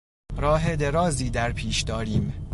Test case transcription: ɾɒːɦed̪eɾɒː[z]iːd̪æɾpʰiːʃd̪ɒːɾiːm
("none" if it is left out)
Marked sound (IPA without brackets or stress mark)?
z